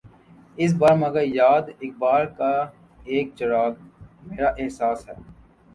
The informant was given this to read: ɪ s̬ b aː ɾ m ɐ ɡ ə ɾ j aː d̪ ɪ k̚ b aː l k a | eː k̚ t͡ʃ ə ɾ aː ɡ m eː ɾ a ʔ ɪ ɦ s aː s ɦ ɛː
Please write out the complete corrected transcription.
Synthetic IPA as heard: ɪ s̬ b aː ɾ m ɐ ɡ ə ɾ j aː d̪ ɪ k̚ b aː ɾ k a | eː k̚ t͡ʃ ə ɾ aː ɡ m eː ɾ a ʔ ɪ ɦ s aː s ɦ ɛː